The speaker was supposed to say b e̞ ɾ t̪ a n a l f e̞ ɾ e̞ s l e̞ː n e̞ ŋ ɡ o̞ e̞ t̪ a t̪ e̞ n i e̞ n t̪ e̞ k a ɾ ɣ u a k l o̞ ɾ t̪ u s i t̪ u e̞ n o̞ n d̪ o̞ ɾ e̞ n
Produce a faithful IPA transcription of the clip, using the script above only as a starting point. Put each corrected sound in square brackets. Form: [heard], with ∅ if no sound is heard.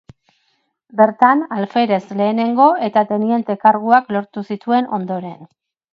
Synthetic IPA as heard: b e̞ ɾ t̪ a n a l f e̞ ɾ e̞ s l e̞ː n e̞ ŋ ɡ o̞ e̞ t̪ a t̪ e̞ n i e̞ n t̪ e̞ k a ɾ ɣ u a k l o̞ ɾ t̪ u s i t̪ u e̞ n o̞ n d̪ o̞ ɾ e̞ n

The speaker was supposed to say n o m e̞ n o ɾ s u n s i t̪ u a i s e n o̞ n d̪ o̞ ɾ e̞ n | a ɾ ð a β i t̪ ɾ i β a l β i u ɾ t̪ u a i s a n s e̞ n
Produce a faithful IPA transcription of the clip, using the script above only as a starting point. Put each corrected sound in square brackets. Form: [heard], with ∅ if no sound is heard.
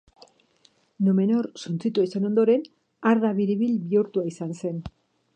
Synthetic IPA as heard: n o m e̞ n o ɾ s u n [t͡s] i t̪ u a i s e n o̞ n d̪ o̞ ɾ e̞ n | a ɾ ð a β i [∅] ɾ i β [i] l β i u ɾ t̪ u a i s a n s e̞ n

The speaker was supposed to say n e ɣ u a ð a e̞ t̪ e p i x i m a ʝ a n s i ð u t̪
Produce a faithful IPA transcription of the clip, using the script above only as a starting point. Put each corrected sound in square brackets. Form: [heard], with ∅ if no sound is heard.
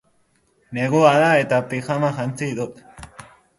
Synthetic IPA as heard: n e ɣ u a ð a e̞ t̪ [a] p i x [a] m a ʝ a n [t͡s] i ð u t̪

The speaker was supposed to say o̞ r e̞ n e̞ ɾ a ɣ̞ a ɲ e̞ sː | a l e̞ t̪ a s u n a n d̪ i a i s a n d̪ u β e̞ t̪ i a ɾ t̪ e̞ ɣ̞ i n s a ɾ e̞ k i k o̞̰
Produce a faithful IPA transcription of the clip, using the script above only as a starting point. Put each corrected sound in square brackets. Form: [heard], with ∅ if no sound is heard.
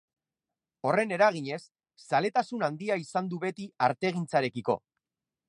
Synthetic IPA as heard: o̞ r e̞ n e̞ ɾ a ɣ̞ [i] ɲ e̞ sː | a l e̞ t̪ a s u n a n d̪ i a i s a n d̪ u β e̞ t̪ i a ɾ t̪ e̞ ɣ̞ i n [t͡s] a ɾ e̞ k i k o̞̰

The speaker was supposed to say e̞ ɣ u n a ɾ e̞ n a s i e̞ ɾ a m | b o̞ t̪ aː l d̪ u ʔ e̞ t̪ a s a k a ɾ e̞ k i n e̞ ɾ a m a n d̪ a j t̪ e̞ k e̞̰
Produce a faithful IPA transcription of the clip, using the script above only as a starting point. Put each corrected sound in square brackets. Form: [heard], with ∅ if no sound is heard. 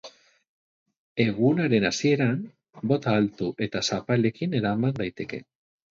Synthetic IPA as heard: e̞ ɣ u n a ɾ e̞ n a s i e̞ ɾ a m | b o̞ t̪ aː l [t̪] u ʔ e̞ t̪ a s a [p] a [l] e̞ k i n e̞ ɾ a m a n d̪ a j t̪ e̞ k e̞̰

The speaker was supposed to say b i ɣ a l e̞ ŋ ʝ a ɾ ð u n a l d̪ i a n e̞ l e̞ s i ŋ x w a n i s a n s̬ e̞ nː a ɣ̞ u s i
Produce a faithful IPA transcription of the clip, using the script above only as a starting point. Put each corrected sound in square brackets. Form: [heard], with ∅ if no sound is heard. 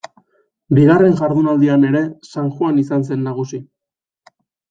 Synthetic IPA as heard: b i ɣ a [r] e̞ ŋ ʝ a ɾ ð u n a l d̪ i a n e̞ [ɾ] e̞ s [a] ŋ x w a n i s a n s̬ e̞ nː a ɣ̞ u s i

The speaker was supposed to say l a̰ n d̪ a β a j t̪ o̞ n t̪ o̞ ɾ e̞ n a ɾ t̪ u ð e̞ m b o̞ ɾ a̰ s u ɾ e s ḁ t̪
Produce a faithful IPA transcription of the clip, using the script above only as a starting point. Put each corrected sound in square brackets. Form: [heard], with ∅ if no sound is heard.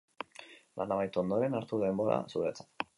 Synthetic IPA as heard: l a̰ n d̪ a β a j t̪ o̞ n [d̪] o̞ ɾ e̞ n a ɾ t̪ u ð e̞ m b o̞ ɾ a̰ s u ɾ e [t͡s] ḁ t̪

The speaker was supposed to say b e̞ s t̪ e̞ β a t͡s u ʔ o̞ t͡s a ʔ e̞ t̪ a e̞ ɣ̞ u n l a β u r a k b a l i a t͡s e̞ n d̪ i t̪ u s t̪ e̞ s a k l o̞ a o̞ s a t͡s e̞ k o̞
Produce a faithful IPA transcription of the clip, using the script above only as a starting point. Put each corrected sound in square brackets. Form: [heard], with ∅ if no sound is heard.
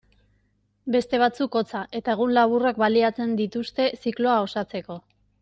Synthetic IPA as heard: b e̞ s t̪ e̞ β a t͡s u [k] o̞ t͡s a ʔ e̞ t̪ a e̞ ɣ̞ u n l a β u r a k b a l i a t͡s e̞ n d̪ i t̪ u s t̪ e̞ s [i] k l o̞ a o̞ s a t͡s e̞ k o̞

